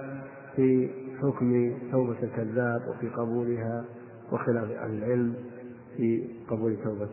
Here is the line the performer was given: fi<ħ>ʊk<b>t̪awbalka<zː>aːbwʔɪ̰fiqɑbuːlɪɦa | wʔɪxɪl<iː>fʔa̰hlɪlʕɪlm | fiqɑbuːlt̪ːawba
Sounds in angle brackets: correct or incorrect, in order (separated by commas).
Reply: correct, incorrect, incorrect, incorrect